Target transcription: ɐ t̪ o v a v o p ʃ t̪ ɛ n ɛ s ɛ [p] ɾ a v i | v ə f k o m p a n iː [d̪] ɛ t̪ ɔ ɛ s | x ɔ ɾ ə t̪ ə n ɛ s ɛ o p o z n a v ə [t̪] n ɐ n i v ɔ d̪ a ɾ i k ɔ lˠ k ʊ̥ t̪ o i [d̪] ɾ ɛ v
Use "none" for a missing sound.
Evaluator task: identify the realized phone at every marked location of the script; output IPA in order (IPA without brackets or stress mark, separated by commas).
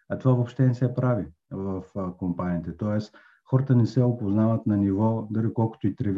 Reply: p, t̪, t̪, t̪